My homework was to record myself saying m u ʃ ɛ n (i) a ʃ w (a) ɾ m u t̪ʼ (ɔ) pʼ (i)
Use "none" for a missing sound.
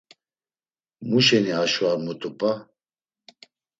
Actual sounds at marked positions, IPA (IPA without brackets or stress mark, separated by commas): i, a, u, a